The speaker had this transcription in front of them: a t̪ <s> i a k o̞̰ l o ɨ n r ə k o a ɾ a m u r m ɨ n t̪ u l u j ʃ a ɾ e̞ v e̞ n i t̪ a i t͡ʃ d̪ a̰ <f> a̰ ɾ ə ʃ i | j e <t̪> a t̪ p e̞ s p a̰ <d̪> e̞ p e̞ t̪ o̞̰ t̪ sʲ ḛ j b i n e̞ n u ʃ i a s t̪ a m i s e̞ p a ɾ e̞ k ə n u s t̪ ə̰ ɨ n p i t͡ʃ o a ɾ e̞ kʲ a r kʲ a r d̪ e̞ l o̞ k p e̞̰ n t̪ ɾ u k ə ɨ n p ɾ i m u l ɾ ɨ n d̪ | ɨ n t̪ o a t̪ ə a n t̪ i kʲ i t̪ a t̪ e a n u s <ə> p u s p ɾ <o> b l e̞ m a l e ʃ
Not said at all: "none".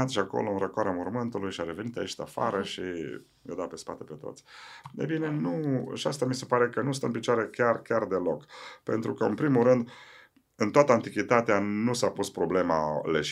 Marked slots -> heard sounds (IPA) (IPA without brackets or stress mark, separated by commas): ʃ, f, d̪, t̪, a, o